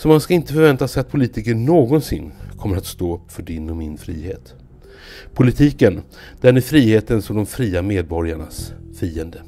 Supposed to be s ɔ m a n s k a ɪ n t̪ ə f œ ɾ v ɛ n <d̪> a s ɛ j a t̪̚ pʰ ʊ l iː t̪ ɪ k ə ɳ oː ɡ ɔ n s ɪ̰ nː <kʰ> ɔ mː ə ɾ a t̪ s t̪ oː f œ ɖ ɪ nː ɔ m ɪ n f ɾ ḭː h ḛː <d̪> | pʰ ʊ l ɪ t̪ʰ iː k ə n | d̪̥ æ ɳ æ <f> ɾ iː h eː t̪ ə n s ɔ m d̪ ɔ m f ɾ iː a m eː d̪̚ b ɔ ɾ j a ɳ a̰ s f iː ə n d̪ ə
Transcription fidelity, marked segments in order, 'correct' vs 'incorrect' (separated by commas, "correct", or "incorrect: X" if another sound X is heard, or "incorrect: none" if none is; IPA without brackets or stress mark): incorrect: t̪, correct, incorrect: t̪, correct